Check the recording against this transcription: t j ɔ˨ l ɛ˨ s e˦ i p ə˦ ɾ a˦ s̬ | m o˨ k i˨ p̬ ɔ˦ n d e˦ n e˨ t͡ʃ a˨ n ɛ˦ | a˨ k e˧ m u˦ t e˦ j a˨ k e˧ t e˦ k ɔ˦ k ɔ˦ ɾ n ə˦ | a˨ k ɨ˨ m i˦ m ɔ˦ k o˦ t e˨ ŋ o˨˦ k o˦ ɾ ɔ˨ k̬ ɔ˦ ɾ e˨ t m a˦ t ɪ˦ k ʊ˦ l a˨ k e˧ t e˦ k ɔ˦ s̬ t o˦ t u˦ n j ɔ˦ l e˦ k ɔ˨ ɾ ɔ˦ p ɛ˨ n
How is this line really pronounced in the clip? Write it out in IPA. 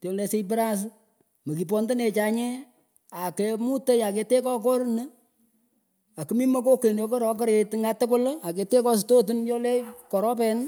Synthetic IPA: t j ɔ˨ l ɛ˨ s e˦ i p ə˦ ɾ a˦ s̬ | m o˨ k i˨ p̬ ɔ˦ n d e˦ n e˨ t͡ʃ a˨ ɲ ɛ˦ | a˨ k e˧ m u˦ t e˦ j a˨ k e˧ t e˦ k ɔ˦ k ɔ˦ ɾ n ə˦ | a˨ k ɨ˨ m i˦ m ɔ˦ k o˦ k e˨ n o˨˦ k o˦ ɾ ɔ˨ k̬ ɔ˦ ɾ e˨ t ŋ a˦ t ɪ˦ k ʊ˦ l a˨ k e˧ t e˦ k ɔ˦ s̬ t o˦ t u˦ n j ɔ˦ l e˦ k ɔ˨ ɾ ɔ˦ p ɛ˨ n

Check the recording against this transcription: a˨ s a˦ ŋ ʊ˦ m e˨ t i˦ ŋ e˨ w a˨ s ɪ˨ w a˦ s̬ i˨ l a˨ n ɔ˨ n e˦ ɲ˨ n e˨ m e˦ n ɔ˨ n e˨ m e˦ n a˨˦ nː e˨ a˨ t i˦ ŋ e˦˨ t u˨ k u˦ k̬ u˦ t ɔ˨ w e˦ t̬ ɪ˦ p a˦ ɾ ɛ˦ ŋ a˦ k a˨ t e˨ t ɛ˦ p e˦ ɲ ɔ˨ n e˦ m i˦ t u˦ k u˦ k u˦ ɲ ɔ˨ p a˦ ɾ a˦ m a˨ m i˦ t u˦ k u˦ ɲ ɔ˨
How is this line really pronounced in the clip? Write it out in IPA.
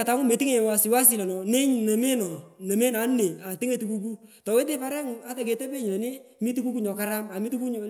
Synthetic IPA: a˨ t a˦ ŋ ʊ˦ m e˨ t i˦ ŋ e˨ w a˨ s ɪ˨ w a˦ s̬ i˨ l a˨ n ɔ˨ n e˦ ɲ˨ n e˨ m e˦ n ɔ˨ n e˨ m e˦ n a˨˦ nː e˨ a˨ t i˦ ŋ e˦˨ t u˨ k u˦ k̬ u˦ t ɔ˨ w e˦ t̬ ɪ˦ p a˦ ɾ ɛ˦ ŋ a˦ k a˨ k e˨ t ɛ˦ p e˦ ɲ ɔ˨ n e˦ m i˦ t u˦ k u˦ k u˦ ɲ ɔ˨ k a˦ ɾ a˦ m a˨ m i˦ t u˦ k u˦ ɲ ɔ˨

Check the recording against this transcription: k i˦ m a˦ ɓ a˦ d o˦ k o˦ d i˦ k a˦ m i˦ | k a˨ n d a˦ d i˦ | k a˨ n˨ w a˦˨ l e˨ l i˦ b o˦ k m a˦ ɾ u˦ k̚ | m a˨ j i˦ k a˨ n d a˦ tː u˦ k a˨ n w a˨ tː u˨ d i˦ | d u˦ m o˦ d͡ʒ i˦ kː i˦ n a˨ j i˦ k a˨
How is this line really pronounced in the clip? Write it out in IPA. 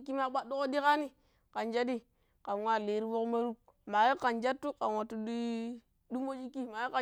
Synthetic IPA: k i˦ m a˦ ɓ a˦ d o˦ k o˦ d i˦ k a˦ n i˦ | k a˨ n d͡ʒ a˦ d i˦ | k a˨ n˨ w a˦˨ l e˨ ɾ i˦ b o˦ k m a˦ ɾ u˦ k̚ | m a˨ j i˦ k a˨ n d͡ʒ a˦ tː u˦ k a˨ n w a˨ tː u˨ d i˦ | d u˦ m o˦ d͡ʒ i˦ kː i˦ m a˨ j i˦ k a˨

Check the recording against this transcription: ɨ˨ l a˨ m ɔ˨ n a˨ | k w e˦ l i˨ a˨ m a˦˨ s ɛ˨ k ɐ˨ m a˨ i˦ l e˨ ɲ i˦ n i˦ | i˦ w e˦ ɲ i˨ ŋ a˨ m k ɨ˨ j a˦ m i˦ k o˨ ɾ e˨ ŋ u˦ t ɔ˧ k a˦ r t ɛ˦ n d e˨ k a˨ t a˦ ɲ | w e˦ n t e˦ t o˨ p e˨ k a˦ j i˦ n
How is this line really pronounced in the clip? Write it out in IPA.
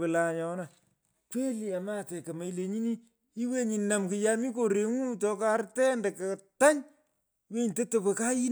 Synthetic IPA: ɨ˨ l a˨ ɲ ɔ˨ n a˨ | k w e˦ l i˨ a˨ m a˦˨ t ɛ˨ k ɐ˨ m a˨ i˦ l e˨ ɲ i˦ n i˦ | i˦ w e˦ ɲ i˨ n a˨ m k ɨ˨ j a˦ m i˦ k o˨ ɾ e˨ ŋ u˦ t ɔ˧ k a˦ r t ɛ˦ n d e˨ k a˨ t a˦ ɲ | w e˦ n t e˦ t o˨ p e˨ k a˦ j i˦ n

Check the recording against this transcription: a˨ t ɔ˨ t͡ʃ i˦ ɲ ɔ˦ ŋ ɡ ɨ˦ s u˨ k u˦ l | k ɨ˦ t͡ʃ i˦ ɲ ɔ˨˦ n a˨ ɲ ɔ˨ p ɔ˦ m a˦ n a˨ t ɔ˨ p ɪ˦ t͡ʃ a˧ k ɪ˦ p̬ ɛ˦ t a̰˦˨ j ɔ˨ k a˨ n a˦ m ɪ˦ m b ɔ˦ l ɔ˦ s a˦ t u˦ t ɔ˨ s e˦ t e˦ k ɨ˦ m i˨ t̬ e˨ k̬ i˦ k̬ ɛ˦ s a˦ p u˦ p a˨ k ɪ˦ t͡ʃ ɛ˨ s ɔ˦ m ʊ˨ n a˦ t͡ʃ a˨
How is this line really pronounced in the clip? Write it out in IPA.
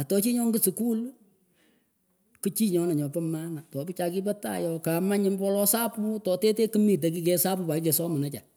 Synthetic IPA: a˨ t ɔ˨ t͡ʃ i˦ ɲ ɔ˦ ŋ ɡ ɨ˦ s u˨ k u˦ l | k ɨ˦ t͡ʃ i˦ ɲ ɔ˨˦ n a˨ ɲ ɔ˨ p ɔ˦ m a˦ n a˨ t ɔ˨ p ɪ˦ t͡ʃ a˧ k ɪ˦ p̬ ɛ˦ t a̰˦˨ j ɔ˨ k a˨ m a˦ ɲ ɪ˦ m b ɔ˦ l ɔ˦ s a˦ p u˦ t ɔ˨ t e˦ t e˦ k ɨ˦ m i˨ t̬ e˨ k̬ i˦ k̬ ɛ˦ s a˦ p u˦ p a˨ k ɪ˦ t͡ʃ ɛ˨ s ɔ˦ m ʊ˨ n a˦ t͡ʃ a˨

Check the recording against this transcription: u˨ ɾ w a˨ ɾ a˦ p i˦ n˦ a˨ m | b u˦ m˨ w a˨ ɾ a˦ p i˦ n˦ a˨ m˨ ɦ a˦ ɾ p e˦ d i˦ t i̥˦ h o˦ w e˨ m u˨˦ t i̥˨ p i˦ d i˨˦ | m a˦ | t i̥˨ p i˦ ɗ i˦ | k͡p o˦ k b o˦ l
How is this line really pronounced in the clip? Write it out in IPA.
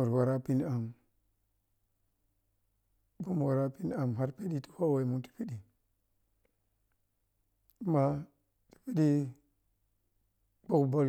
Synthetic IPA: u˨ ɾ w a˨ ɾ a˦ p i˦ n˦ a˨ m | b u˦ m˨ w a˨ ɾ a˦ p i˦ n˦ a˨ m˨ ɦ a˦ ɾ p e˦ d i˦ t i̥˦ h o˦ w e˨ m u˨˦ t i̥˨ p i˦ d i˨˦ | m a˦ | t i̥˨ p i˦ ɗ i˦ | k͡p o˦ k b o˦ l

